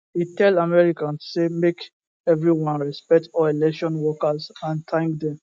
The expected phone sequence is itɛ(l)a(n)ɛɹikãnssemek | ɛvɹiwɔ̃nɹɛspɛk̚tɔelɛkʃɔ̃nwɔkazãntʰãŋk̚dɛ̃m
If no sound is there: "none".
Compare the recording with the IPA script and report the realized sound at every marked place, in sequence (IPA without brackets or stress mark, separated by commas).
l, m